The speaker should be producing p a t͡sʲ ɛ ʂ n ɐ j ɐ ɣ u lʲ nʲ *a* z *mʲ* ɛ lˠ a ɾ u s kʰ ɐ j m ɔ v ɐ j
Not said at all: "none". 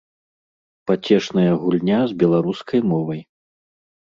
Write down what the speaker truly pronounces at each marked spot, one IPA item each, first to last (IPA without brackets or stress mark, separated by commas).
a, bʲ